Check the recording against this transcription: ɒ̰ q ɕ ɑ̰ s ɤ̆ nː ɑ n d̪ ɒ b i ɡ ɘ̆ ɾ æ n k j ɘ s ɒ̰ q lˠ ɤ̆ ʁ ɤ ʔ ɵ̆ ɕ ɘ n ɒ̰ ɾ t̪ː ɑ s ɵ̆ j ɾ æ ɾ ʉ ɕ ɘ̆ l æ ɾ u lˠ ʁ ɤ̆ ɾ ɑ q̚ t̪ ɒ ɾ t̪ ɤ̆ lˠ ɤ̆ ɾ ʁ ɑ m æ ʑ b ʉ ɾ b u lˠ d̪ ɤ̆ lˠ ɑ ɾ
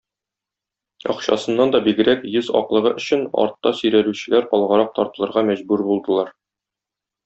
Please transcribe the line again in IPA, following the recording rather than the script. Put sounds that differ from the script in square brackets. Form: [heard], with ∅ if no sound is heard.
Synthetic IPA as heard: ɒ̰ q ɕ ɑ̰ s ɤ̆ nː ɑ n d̪ ɒ b i ɡ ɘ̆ ɾ æ [∅] k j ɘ [z] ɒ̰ q lˠ ɤ̆ ʁ ɤ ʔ ɵ̆ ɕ ɘ n ɒ̰ ɾ t̪ː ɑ s ɵ̆ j ɾ æ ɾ ʉ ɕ ɘ̆ l æ ɾ [ɒ] lˠ ʁ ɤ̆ ɾ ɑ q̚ t̪ ɒ ɾ t̪ ɤ̆ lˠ ɤ̆ ɾ ʁ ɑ m æ ʑ b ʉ ɾ b u lˠ d̪ ɤ̆ lˠ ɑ ɾ

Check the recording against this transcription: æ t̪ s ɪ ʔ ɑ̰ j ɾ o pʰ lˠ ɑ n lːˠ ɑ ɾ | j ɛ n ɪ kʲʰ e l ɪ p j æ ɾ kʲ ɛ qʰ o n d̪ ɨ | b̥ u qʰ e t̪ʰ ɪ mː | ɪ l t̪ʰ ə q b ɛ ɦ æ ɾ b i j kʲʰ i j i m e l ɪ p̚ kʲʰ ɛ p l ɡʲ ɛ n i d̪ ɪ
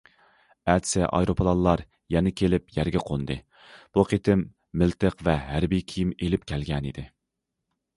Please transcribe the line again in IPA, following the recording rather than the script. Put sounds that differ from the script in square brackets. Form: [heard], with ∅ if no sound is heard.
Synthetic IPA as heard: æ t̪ s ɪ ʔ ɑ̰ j ɾ o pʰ lˠ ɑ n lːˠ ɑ ɾ | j ɛ n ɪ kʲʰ e l ɪ p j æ ɾ [ɡʲ] ɛ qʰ o n d̪ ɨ | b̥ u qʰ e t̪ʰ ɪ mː | ɪ l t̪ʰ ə q [v] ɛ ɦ æ ɾ b i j kʲʰ i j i m e l ɪ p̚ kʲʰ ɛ [∅] l ɡʲ ɛ n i d̪ ɪ

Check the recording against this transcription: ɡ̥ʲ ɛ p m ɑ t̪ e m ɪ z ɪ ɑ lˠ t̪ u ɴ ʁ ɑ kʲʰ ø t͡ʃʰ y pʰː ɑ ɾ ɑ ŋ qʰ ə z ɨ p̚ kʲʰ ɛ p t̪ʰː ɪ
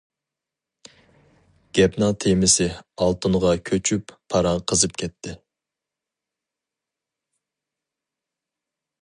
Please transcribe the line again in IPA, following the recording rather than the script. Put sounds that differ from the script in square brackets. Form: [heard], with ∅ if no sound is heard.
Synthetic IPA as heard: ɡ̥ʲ ɛ p [n] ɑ [t̪ʰ] e m ɪ [s] ɪ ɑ lˠ t̪ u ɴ ʁ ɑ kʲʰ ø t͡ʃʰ y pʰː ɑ ɾ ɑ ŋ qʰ ə z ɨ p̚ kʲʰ ɛ p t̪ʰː ɪ

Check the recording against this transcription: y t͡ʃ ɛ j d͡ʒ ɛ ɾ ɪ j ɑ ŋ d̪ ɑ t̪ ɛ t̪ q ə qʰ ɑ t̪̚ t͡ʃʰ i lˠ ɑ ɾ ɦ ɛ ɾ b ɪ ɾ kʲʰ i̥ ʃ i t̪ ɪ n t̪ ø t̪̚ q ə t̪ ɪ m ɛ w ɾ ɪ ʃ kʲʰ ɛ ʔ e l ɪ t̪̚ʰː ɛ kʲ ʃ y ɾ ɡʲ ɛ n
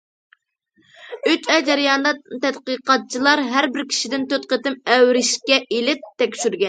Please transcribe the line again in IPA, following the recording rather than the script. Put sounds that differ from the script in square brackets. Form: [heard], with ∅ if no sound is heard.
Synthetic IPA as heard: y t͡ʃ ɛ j d͡ʒ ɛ ɾ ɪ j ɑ [n] d̪ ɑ t̪ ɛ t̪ q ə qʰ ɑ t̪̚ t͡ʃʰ i lˠ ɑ ɾ ɦ [æ] ɾ b ɪ ɾ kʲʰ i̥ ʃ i [d̪] ɪ n t̪ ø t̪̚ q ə t̪ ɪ m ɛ w ɾ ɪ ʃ [kʲ] ɛ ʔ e l ɪ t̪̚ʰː ɛ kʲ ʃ y ɾ ɡʲ ɛ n

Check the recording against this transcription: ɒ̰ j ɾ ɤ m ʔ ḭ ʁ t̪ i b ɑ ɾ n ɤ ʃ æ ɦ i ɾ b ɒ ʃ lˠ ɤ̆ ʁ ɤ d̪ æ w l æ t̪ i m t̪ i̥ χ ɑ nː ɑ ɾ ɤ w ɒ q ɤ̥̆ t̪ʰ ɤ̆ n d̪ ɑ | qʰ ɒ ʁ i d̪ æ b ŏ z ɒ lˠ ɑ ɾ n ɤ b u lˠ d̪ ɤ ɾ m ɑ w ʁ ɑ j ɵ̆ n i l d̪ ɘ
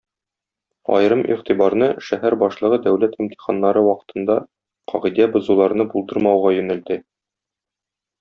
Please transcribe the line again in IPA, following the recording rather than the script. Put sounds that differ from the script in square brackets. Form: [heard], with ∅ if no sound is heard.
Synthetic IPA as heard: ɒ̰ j ɾ ɤ m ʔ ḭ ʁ t̪ i b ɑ ɾ n ɤ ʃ æ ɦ [æ] ɾ b ɒ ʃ lˠ ɤ̆ ʁ ɤ d̪ æ w l æ t̪ i m t̪ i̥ χ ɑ nː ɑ ɾ ɤ w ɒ q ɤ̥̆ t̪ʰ ɤ̆ n d̪ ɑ | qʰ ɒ ʁ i d̪ æ b ŏ z [u] lˠ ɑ ɾ n ɤ b u lˠ d̪ ɤ ɾ m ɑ w ʁ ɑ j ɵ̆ n [æ] l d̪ ɘ

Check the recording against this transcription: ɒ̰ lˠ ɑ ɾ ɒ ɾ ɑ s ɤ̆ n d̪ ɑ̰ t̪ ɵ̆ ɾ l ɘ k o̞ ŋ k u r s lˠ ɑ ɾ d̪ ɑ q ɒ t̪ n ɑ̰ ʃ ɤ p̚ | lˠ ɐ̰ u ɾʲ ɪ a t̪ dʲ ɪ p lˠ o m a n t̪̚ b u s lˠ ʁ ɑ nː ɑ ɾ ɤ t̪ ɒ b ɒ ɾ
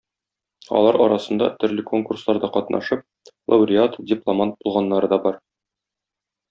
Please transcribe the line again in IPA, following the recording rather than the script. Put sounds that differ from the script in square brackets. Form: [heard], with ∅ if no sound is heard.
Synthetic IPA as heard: ɒ̰ lˠ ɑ ɾ ɒ ɾ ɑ s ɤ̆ n d̪ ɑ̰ t̪ ɵ̆ ɾ l ɘ k o̞ ŋ k u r s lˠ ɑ ɾ d̪ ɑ q ɒ t̪ n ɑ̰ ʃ ɤ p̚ | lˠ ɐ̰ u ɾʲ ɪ a t̪ dʲ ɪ p lˠ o m a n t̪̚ b u [∅] lˠ ʁ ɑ nː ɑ ɾ ɤ [d̪] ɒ b ɒ ɾ

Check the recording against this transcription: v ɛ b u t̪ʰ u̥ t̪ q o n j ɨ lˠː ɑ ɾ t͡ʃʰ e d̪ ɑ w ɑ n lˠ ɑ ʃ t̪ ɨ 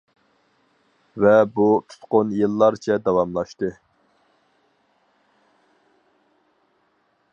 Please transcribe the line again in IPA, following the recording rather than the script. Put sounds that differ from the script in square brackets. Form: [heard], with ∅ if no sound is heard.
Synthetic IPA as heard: v ɛ b u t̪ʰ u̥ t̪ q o n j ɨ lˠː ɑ ɾ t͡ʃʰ [ɛ] d̪ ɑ w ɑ [m] lˠ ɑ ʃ t̪ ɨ

